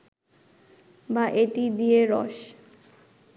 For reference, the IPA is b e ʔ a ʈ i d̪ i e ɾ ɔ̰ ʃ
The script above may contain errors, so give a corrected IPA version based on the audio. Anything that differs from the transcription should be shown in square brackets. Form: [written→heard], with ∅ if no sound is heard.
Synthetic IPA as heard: b [e→a] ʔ [a→e] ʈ i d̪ i e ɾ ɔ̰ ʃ